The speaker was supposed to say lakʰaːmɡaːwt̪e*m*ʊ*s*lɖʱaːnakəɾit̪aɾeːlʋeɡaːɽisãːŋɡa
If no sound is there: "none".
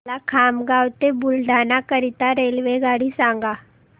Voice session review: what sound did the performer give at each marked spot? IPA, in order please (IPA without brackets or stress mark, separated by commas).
b, none